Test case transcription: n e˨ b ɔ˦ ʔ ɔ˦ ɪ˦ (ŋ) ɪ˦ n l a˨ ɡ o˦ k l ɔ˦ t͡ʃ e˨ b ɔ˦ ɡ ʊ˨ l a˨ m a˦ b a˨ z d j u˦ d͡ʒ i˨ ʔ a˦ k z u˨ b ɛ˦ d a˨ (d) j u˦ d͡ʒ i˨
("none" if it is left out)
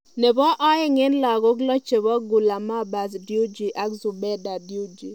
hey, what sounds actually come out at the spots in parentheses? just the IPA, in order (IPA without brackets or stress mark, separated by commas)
ŋ, d